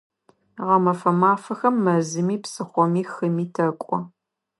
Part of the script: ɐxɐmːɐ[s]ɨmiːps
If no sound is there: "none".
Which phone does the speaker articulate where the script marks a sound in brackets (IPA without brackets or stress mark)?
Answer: z